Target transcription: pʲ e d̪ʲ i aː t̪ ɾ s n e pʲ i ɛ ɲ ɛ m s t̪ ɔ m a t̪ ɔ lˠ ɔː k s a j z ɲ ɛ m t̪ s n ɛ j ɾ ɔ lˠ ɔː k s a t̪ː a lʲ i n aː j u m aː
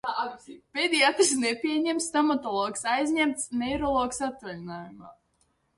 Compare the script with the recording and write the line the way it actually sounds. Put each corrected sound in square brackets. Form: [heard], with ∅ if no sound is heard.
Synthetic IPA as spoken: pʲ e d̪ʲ i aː t̪ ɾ s n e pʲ i ɛ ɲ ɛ m s t̪ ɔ m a t̪ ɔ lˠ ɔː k s a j z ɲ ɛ m t̪ s n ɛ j ɾ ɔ lˠ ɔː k s a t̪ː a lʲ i n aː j u m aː